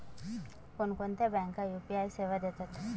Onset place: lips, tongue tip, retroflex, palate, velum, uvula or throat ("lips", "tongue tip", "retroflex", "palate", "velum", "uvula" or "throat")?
velum